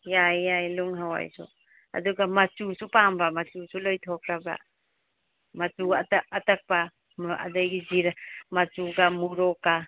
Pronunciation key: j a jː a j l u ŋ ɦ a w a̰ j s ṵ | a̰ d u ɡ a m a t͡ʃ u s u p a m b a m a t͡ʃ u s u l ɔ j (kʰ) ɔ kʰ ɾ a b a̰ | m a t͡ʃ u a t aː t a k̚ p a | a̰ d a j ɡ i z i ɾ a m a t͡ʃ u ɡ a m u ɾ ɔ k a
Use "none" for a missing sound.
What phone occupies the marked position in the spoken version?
tʰ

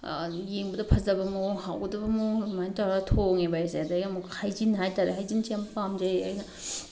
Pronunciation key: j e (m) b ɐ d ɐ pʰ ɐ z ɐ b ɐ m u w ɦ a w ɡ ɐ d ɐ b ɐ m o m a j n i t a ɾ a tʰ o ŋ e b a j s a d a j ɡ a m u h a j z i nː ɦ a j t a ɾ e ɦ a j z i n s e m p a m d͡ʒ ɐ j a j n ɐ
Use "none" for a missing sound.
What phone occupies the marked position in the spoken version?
ŋ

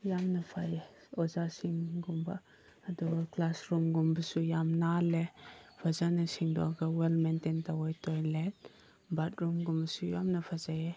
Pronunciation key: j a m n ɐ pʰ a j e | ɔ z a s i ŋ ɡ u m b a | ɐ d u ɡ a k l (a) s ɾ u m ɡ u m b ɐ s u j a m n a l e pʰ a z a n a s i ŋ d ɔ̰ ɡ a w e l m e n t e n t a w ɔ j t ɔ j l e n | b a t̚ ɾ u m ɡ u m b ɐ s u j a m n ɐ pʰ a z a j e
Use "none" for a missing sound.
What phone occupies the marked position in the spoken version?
a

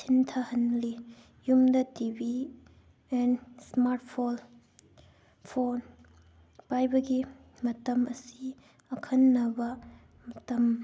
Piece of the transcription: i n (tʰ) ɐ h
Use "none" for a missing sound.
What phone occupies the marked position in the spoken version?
tʰ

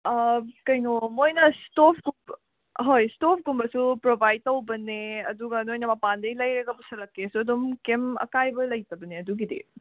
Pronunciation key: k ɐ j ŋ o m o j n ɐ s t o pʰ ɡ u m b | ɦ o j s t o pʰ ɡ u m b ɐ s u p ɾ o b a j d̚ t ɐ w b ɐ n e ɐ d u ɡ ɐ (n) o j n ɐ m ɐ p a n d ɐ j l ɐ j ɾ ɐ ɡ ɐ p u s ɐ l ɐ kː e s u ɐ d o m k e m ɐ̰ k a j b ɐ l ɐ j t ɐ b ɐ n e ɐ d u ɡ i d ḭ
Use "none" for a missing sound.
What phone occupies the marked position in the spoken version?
n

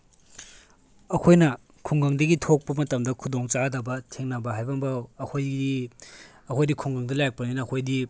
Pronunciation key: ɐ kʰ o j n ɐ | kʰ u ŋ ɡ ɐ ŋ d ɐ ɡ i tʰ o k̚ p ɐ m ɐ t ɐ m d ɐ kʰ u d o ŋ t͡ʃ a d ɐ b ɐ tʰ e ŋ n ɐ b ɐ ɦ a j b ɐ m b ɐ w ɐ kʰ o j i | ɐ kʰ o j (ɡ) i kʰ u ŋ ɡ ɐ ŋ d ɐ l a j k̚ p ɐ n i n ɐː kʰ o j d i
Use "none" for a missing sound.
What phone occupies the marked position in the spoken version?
d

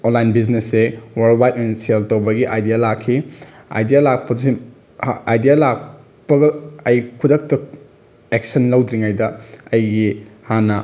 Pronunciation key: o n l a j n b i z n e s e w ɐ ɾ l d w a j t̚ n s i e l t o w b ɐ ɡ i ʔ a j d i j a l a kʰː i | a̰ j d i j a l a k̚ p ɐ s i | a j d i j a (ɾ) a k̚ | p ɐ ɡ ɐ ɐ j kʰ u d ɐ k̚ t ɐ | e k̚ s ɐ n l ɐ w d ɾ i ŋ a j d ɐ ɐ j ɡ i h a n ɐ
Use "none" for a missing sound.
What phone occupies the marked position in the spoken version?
l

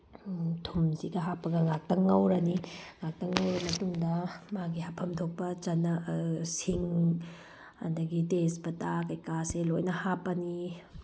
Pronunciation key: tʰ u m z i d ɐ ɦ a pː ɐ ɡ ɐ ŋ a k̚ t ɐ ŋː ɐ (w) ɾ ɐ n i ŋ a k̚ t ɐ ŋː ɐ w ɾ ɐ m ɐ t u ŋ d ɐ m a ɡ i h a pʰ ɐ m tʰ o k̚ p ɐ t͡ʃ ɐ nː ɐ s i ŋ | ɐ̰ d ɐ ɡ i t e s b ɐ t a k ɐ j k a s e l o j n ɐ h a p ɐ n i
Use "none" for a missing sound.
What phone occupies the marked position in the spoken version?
w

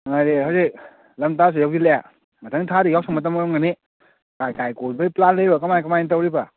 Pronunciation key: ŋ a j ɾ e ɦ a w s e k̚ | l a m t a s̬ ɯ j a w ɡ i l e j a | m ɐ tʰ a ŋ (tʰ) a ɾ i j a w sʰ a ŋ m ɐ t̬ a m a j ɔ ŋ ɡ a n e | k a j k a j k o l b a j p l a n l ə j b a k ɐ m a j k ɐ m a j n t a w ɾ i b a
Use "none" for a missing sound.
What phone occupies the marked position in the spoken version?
tʰ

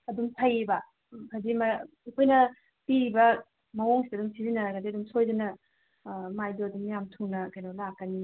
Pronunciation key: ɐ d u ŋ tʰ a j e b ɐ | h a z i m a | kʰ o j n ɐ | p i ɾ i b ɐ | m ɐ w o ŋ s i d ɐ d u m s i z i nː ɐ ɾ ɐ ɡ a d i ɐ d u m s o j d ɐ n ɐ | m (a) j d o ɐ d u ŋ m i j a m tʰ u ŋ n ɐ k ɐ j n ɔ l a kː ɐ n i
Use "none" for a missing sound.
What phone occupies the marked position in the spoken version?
a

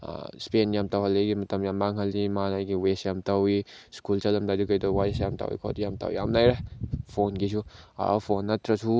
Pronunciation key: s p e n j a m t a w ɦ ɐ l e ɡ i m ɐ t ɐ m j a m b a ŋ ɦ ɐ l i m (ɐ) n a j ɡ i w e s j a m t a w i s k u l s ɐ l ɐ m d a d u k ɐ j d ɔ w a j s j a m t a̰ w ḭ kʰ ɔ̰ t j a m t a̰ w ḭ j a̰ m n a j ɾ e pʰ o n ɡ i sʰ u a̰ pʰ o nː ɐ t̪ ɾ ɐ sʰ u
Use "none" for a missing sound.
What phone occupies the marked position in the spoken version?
a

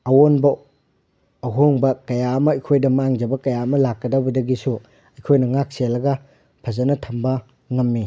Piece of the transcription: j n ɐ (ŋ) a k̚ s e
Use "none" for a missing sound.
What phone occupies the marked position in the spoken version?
ŋ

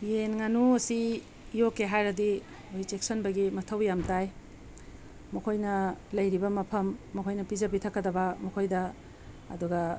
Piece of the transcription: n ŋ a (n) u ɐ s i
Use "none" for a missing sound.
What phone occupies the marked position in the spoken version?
n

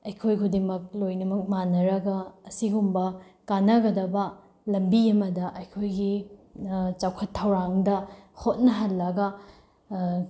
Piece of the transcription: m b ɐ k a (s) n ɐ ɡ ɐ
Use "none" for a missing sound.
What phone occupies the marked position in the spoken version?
none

